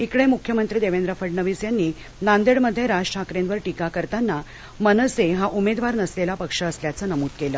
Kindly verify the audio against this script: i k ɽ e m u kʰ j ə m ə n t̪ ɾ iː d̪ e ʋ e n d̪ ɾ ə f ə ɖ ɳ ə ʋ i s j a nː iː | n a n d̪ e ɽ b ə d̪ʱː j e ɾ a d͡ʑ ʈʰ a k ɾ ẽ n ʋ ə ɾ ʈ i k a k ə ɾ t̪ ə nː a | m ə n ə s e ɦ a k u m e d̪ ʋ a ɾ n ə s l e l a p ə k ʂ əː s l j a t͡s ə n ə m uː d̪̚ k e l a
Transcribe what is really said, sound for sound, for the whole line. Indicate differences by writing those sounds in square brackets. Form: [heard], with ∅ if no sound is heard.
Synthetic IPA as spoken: i k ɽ e m u kʰ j ə m ə n t̪ ɾ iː d̪ e ʋ e n d̪ ɾ ə f ə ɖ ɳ ə ʋ i s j a nː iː | n a n d̪ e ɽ [m] ə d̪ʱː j e ɾ a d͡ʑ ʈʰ a k ɾ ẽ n ʋ ə ɾ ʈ i k a k ə ɾ t̪ [a] nː a | m ə n ə s e ɦ a [ʔ] u m e d̪ ʋ a ɾ n ə s l e l a p ə k ʂ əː s l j a t͡s ə n ə m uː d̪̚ k e l [ə]